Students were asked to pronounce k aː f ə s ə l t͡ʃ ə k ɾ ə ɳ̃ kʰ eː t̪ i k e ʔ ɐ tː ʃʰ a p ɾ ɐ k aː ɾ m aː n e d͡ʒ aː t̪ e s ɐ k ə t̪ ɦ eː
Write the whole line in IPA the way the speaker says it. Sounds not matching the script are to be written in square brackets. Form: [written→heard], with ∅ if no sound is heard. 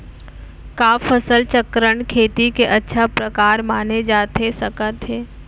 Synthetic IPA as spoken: k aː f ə s ə l t͡ʃ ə k ɾ ə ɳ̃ kʰ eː t̪ i k e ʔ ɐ tː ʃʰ a p ɾ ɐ k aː ɾ m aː n e d͡ʒ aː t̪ e s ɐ k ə t̪ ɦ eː